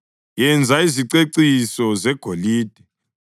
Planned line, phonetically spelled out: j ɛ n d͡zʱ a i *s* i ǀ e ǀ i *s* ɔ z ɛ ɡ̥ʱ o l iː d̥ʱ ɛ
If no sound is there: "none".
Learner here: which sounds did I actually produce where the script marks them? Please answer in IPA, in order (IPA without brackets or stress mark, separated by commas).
z, s